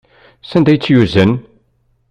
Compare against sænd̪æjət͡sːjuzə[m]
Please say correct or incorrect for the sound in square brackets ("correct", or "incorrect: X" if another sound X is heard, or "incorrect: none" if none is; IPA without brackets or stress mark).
incorrect: n